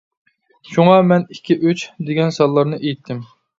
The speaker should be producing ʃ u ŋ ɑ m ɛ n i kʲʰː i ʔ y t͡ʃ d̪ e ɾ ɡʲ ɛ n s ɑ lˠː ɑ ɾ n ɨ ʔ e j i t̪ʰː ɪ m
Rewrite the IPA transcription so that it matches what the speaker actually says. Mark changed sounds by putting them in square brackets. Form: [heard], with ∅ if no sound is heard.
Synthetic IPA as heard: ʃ u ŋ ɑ m ɛ n i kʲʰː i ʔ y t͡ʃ d̪ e [∅] ɡʲ ɛ n s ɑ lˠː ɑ ɾ n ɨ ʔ e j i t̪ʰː ɪ m